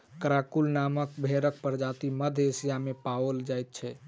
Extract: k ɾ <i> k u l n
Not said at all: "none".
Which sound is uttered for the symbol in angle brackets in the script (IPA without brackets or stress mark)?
a